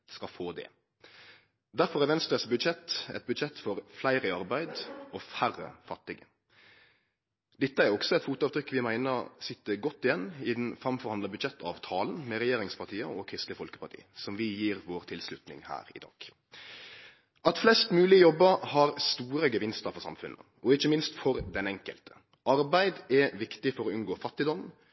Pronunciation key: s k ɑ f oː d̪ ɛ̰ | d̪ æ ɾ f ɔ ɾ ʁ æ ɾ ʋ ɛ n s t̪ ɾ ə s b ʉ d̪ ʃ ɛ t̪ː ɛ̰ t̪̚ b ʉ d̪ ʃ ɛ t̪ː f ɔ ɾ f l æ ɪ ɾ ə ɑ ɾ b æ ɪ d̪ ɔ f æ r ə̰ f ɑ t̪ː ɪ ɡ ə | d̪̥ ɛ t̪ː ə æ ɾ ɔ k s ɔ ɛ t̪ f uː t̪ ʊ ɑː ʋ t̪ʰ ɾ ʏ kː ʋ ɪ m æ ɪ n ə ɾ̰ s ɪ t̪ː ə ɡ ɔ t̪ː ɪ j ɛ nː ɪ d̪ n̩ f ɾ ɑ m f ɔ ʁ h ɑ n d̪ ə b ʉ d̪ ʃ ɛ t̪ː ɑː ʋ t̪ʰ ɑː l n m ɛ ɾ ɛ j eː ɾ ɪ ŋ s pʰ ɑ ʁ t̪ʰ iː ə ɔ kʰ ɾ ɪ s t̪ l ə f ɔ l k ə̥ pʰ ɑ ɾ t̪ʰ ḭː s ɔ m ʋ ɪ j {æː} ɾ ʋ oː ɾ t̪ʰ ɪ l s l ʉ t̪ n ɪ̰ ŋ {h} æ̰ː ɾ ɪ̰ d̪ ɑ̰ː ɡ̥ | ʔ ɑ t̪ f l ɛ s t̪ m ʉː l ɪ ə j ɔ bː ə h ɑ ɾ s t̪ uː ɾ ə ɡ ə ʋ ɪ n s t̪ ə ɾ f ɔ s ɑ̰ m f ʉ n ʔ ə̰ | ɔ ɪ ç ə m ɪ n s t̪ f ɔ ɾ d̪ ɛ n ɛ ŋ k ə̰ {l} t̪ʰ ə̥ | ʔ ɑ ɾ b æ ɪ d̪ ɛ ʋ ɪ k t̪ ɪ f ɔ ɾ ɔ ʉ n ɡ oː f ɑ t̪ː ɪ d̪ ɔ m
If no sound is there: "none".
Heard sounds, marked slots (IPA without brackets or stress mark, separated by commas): iː, h, l